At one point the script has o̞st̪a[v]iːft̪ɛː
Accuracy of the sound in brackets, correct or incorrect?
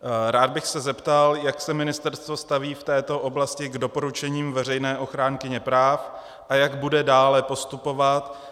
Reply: correct